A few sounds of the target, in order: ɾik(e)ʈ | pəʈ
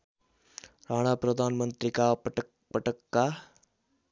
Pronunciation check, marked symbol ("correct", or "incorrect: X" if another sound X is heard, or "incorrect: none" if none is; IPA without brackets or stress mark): incorrect: a